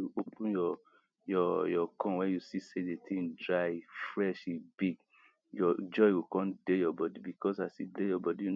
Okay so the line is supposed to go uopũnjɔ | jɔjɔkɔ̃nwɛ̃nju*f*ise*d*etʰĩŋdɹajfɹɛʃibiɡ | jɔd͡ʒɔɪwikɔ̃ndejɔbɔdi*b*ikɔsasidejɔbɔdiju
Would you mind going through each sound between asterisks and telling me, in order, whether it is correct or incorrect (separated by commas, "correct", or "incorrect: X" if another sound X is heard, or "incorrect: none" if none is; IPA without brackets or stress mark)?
incorrect: s, correct, correct